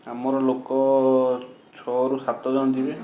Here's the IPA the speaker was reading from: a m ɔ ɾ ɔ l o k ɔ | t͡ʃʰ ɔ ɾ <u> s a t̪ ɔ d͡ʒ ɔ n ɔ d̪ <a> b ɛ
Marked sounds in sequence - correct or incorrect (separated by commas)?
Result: correct, incorrect